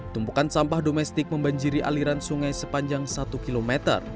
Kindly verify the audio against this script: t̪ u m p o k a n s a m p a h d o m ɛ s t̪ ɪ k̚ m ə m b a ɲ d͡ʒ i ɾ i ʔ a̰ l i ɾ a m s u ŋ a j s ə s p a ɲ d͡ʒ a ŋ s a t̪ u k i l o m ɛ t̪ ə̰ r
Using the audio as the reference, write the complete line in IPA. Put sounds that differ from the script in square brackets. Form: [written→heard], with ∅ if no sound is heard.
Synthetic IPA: t̪ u m p [o→u] k a n s a m p a h d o m ɛ s t̪ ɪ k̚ m ə m b a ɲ d͡ʒ i ɾ i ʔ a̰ l i ɾ a [m→n] s u ŋ a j s ə [s→∅] p a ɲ d͡ʒ a ŋ s a t̪ u k i l o m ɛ t̪ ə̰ r